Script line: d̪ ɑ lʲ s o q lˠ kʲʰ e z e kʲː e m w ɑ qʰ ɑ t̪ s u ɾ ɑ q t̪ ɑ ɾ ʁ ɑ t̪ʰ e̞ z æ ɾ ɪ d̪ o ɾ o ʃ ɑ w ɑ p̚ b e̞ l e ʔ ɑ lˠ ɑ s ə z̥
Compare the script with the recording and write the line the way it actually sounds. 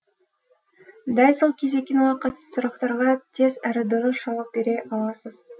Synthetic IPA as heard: d̪ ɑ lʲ s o lˠ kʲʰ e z e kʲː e n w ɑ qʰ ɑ t̪ s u ɾ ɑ q t̪ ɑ ɾ ʁ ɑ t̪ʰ e̞ z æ ɾ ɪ d̪ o ɾ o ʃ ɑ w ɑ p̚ b e̞ ɾ e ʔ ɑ lˠ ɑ s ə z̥